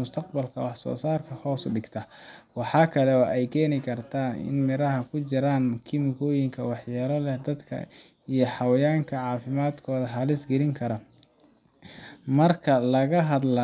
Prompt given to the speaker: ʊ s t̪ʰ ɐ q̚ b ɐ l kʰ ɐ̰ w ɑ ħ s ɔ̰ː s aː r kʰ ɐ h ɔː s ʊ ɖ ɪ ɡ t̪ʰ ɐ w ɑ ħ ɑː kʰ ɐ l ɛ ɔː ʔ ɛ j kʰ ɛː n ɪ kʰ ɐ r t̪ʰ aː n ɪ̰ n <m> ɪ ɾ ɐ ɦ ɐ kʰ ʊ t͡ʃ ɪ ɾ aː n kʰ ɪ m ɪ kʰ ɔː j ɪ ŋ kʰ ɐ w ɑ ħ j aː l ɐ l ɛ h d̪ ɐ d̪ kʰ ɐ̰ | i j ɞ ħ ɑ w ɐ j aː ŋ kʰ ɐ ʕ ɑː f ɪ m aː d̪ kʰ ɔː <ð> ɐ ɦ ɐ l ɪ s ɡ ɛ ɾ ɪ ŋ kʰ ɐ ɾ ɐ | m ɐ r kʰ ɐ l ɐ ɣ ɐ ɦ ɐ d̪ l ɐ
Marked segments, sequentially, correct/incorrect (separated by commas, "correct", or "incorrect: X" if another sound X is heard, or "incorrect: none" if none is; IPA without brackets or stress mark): correct, correct